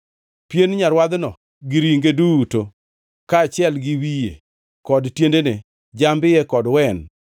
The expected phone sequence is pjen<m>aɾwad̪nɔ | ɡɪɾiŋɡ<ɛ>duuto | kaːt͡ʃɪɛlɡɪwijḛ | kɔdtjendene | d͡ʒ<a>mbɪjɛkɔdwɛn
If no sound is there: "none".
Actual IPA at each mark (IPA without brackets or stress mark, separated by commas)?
ɲ, e, a